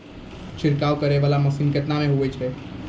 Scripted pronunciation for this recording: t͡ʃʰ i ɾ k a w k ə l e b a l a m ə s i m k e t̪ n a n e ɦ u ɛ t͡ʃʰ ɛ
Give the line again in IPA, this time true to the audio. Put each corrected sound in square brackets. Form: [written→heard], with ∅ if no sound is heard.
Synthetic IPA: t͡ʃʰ i ɾ k a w k ə [l→ɾ] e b a l a m ə s i [m→n] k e t̪ n a [n→m] e ɦ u ɛ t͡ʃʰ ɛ